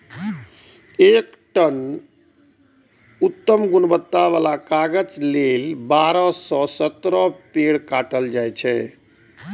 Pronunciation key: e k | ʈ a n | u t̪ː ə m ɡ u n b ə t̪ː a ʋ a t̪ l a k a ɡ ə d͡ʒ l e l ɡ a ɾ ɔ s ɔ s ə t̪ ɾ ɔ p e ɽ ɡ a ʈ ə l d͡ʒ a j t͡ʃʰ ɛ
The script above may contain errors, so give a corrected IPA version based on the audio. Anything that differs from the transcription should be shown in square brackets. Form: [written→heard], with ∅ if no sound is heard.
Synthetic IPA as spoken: e k | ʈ [a→ə] n | u t̪ː ə m ɡ u n b ə t̪ː a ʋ a [t̪→∅] l a k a ɡ ə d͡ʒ l e l [ɡ→b] a ɾ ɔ s ɔ s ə t̪ ɾ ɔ p e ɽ [ɡ→k] a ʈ ə l d͡ʒ a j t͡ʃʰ ɛ